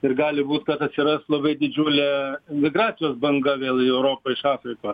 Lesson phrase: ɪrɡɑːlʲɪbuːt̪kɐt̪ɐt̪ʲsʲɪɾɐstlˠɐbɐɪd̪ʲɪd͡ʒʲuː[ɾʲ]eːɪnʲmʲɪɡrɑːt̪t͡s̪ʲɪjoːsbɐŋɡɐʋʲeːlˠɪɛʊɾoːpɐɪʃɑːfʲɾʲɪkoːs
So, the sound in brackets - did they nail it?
no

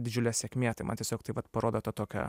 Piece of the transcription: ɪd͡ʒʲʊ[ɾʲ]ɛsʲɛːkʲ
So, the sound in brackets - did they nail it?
no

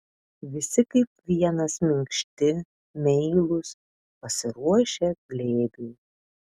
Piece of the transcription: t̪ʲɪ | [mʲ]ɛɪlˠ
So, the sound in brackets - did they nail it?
yes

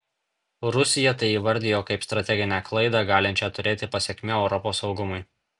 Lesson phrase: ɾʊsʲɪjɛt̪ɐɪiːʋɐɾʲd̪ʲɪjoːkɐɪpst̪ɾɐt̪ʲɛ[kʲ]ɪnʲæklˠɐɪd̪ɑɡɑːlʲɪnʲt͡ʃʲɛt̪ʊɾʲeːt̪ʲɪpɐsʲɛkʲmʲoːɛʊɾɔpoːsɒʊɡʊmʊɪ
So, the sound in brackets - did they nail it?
no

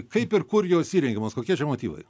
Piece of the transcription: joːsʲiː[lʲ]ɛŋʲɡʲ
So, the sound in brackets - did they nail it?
no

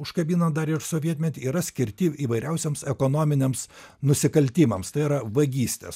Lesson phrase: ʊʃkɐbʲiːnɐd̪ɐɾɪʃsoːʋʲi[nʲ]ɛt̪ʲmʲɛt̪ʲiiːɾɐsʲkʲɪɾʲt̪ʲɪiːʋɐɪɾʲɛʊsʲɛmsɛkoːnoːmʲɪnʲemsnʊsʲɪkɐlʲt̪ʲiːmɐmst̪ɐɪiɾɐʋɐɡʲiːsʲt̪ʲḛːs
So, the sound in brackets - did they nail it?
no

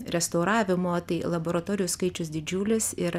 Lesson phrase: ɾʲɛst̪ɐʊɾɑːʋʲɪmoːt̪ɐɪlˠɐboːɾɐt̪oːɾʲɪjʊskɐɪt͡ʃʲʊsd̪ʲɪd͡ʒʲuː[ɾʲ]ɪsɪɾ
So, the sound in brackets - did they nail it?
no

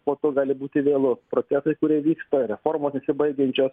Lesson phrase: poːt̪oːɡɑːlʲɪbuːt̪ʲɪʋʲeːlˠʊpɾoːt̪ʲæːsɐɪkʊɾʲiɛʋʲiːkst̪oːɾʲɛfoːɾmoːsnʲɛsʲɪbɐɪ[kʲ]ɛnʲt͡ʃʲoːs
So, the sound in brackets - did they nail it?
no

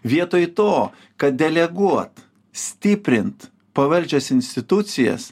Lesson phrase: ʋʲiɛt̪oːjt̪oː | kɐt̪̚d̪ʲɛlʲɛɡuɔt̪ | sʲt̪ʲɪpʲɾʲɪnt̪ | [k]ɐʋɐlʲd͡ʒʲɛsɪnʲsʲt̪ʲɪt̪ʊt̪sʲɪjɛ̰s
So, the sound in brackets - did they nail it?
no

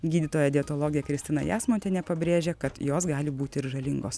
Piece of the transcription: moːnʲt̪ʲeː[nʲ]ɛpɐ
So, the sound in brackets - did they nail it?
yes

